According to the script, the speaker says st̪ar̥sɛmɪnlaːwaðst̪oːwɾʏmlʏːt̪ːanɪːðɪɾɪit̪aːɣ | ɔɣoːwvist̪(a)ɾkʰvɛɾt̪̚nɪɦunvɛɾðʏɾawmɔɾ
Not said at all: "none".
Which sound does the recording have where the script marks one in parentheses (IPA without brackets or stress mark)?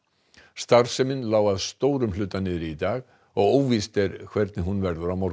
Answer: ɛ